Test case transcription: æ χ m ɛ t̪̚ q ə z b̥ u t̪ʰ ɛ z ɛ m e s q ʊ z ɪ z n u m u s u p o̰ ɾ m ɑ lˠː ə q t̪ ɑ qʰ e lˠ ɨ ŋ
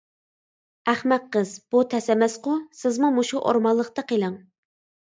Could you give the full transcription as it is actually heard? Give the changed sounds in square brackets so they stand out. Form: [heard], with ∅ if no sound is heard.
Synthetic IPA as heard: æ χ m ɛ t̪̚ q ə z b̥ u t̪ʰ ɛ [s] ɛ m [ɛ] s q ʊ [s] ɪ z [m] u m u [ʃ] u [ʔ] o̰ ɾ m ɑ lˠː ə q t̪ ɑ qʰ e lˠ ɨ ŋ